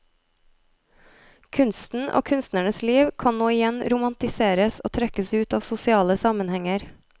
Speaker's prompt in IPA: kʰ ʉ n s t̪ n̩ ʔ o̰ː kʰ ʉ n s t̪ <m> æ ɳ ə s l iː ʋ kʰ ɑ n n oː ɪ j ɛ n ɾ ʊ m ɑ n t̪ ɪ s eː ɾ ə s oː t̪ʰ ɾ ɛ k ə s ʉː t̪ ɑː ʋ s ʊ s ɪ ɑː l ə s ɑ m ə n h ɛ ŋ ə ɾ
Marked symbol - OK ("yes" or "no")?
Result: no